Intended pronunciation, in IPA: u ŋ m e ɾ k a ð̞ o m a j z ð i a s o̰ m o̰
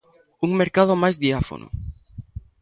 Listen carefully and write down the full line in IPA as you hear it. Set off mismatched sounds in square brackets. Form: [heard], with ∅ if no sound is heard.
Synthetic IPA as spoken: u ŋ m e ɾ k a ð̞ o m a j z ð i a [f] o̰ [n] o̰